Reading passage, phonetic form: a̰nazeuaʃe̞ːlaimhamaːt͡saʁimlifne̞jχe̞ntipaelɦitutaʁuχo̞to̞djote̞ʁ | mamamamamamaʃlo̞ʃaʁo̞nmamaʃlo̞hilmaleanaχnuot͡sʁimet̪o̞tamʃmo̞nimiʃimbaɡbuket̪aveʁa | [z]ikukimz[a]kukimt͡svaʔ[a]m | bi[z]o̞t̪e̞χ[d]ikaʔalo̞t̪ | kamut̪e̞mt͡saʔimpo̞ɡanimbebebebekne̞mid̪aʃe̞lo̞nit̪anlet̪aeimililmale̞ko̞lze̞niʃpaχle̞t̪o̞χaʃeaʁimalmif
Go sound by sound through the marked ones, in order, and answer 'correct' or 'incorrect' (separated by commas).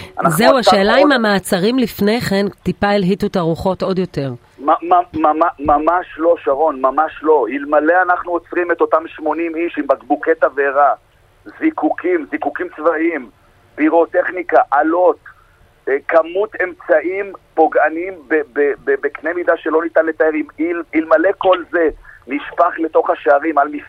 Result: correct, incorrect, incorrect, incorrect, incorrect